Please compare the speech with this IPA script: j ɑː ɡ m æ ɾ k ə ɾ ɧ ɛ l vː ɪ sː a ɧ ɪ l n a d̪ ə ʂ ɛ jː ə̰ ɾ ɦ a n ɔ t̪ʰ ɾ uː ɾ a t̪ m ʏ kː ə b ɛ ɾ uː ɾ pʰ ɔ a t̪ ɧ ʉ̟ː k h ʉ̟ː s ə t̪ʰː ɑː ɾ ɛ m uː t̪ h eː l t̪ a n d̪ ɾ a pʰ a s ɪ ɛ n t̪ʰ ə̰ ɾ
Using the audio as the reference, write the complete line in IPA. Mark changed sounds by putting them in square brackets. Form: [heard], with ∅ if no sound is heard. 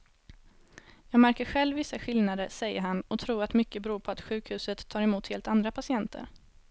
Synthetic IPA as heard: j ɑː ɡ m æ ɾ k ə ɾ ɧ ɛ l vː ɪ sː a ɧ ɪ l n a d̪ ə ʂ ɛ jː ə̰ ɾ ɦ a n ɔ t̪ʰ ɾ uː ɾ a t̪ m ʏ kː ə b ɛ ɾ uː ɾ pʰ ɔ a t̪ ɧ ʉ̟ː k h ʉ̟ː s ə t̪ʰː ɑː ɾ ɛ m uː t̪ h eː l t̪ a n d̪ ɾ a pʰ a s ɪ ɛ n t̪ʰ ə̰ ɾ